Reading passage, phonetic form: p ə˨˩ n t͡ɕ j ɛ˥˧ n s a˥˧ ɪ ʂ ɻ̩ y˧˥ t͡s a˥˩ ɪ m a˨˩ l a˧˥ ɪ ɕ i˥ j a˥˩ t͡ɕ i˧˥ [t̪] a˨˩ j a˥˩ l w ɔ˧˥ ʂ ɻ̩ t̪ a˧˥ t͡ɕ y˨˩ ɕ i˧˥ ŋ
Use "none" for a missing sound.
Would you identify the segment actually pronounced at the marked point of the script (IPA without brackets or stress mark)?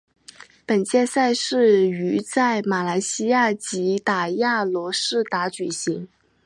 t̪